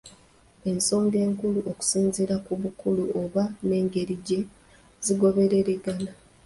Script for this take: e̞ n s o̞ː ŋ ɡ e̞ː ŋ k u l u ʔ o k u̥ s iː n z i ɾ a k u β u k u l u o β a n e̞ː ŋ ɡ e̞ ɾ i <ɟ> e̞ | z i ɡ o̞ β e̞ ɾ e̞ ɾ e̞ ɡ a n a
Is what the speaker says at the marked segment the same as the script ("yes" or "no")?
yes